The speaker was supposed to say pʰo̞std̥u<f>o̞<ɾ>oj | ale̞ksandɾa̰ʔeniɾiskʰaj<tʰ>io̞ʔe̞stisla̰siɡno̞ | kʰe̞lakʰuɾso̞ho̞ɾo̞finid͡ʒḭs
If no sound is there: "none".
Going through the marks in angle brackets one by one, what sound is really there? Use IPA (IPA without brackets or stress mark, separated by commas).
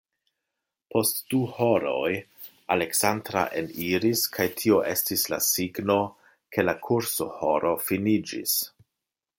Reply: h, ɾ, tʰ